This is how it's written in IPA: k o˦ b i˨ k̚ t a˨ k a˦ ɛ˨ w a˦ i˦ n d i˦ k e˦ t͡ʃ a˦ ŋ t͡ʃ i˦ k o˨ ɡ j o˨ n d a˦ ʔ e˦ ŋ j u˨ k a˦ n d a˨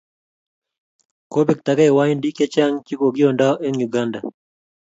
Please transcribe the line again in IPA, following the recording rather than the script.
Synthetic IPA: k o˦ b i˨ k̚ t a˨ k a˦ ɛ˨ w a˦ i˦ n d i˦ k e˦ t͡ʃ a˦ ŋ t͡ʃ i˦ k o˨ ɡ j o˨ n d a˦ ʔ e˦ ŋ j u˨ ɡ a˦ n d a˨